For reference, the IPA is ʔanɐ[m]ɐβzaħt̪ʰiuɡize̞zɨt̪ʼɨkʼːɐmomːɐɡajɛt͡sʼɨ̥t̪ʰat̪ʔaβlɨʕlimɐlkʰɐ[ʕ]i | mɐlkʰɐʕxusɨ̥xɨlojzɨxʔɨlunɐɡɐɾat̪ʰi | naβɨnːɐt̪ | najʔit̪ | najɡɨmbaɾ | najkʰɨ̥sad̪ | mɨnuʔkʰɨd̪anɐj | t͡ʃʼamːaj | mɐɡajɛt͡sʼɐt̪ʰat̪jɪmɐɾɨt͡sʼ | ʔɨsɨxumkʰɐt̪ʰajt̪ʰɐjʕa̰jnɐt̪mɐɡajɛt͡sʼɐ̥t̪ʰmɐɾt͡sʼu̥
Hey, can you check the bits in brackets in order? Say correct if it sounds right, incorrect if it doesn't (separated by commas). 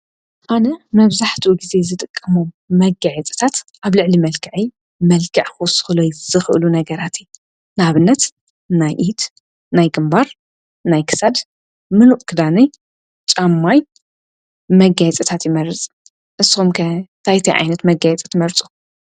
correct, correct